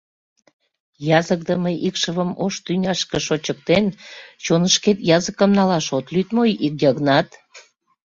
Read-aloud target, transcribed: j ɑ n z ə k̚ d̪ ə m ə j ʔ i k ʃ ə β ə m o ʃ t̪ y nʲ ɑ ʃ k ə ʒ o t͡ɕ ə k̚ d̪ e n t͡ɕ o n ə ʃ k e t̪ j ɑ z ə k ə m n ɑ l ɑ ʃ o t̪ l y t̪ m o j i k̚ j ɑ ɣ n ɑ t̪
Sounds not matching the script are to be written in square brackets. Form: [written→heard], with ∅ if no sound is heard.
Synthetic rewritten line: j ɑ [n→∅] z ə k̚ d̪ ə m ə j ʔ i k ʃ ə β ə m o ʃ t̪ y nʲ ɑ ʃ k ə [ʒ→ʃ] o t͡ɕ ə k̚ [d̪→t̪] e n t͡ɕ o n ə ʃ k e t̪ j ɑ z ə k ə m n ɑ l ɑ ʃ o t̪ l y t̪ m o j i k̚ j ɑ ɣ n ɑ t̪